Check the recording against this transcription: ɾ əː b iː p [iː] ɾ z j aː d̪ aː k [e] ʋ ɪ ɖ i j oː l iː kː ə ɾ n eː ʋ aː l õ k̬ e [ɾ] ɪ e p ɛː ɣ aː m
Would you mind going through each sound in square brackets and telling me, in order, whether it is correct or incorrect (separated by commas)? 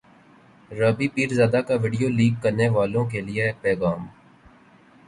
correct, incorrect, incorrect